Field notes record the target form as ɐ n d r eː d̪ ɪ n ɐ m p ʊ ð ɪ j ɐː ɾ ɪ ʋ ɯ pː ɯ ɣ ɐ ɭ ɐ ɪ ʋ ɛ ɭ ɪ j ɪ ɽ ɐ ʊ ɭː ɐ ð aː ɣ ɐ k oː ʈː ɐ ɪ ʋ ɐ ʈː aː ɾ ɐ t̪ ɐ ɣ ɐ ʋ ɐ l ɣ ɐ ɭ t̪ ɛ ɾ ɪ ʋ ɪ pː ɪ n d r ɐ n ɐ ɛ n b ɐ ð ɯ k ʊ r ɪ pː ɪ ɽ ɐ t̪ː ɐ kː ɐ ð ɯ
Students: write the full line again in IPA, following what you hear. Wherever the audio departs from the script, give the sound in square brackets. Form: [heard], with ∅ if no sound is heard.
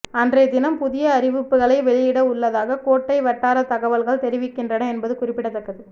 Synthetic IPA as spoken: ɐ n d r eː d̪ ɪ n ɐ m p ʊ ð ɪ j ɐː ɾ ɪ ʋ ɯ pː ɯ ɣ ɐ ɭ ɐ ɪ ʋ ɛ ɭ ɪ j ɪ ɽ ɐ ʊ ɭː ɐ ð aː ɣ ɐ k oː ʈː ɐ ɪ ʋ ɐ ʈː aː ɾ ɐ t̪ ɐ ɣ ɐ ʋ ɐ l ɣ ɐ ɭ t̪ ɛ ɾ ɪ ʋ ɪ [kː] ɪ n d r ɐ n ɐ ɛ n b ɐ ð ɯ k ʊ r ɪ pː ɪ ɽ ɐ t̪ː ɐ kː ɐ ð ɯ